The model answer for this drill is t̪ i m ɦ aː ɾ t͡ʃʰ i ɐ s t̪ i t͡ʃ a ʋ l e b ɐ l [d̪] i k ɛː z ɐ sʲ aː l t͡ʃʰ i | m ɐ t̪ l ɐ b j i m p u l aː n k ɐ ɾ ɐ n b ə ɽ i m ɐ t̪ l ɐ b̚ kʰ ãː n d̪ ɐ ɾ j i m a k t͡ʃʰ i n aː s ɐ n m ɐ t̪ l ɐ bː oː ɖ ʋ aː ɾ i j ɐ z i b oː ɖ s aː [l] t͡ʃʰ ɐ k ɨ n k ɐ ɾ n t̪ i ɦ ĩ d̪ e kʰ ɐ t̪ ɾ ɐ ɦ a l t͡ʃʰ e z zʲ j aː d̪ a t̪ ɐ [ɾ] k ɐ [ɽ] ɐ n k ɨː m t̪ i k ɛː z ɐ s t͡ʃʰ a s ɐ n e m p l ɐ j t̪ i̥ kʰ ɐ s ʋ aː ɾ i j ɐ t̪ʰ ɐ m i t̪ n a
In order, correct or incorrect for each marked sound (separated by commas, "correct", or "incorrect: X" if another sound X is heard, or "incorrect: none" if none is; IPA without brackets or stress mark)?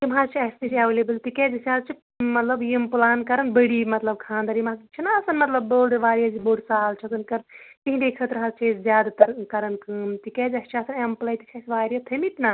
incorrect: t̪, correct, correct, incorrect: ɾ